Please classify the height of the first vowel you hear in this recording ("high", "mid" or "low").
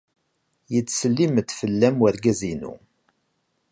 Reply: mid